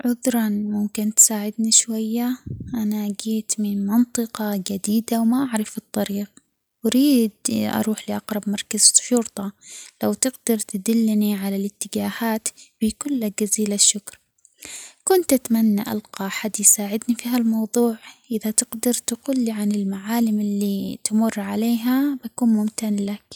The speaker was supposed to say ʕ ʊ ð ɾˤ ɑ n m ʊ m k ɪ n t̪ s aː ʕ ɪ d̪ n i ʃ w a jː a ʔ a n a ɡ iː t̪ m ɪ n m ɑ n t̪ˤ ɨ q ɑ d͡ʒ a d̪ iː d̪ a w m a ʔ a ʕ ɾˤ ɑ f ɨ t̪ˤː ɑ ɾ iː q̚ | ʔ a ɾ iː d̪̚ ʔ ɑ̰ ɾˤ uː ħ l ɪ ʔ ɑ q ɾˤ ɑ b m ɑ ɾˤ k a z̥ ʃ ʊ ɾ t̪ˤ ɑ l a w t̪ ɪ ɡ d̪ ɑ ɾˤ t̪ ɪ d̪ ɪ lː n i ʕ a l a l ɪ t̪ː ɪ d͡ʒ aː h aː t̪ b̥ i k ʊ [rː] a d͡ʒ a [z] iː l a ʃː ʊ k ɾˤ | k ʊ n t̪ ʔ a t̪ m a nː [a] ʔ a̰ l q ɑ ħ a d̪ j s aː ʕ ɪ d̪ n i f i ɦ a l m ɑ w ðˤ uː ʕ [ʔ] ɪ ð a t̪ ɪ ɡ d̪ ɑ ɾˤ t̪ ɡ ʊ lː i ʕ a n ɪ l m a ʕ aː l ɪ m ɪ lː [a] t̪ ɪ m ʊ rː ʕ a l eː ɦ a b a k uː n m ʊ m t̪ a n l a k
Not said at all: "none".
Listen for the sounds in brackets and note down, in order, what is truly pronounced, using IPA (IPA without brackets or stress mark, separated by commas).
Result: lː, z, a, ʔ, i